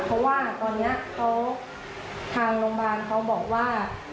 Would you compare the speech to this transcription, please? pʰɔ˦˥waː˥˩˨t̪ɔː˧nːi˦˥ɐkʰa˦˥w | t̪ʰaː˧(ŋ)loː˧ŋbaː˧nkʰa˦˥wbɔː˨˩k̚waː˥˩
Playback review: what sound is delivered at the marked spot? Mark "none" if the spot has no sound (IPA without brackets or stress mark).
ŋ